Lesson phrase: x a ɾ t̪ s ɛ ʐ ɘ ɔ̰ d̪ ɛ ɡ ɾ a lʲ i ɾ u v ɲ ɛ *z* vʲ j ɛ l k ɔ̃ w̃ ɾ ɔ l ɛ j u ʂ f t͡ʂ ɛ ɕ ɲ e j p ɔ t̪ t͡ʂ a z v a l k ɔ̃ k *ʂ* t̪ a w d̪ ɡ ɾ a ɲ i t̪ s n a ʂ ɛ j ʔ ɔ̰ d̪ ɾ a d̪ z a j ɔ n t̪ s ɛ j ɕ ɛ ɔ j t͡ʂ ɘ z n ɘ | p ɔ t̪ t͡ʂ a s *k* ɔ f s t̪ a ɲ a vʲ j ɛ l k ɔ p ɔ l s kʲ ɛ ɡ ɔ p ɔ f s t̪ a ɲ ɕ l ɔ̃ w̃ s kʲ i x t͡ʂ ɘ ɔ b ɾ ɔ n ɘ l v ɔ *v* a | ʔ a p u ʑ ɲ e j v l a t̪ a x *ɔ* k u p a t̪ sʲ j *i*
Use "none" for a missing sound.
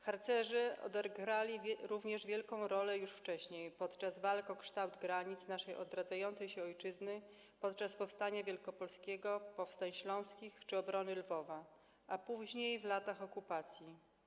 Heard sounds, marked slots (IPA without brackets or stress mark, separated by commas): ʐ, ʂ, p, v, ɔ, i